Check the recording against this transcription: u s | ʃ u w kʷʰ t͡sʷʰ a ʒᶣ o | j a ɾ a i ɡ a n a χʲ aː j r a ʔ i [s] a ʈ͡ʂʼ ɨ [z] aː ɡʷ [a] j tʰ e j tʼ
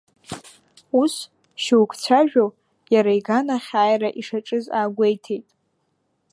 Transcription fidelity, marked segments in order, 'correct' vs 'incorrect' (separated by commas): incorrect, correct, incorrect